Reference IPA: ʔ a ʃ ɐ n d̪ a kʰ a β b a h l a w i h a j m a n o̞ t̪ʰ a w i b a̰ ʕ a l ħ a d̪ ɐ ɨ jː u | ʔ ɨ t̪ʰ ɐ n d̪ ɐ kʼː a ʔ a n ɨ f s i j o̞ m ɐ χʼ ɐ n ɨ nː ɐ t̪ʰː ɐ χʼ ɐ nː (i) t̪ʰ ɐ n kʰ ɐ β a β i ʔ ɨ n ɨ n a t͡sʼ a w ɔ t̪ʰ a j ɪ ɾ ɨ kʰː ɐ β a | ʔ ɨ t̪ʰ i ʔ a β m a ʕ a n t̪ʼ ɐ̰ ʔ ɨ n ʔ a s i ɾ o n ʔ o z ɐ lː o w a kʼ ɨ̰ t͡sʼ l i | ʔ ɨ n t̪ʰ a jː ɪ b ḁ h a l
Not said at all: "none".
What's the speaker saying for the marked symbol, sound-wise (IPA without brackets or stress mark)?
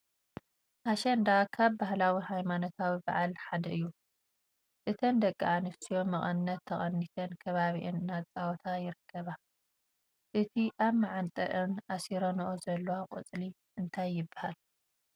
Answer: i